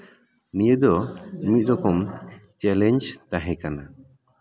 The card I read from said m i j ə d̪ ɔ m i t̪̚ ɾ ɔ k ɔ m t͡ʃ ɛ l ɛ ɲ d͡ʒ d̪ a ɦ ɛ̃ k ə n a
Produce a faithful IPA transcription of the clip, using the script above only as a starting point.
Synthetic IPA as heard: n i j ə d̪ ɔ m i t̪̚ ɾ ɔ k ɔ m t͡ʃ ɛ l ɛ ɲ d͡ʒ t̪ a ɦ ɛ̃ k a n a